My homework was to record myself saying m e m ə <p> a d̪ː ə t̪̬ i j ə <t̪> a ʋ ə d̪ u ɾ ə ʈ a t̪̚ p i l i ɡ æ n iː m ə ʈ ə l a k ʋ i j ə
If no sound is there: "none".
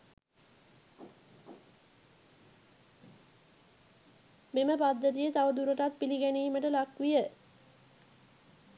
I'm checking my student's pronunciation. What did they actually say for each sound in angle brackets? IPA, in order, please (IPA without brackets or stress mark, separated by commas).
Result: p, t̪